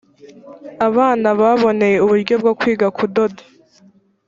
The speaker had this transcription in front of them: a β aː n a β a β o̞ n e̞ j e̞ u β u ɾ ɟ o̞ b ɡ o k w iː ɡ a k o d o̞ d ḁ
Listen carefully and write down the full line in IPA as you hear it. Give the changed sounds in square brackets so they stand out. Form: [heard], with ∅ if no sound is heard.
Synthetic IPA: a β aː n a β a β o̞ n e̞ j e̞ u β u ɾ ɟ o̞ b ɡ o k w iː ɡ a k [u] d o̞ d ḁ